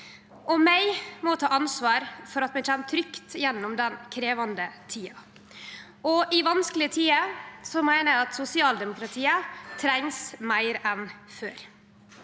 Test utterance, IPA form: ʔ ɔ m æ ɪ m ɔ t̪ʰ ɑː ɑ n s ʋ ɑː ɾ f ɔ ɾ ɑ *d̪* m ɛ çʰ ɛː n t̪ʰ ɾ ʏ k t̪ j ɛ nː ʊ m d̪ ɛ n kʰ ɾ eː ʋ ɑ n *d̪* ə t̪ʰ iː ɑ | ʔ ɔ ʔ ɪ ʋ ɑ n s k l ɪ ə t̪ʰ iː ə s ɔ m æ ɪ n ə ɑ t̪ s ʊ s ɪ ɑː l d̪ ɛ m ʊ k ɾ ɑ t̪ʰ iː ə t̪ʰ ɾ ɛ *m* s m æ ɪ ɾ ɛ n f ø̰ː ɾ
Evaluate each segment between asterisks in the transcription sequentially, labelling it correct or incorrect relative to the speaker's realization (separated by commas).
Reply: incorrect, correct, incorrect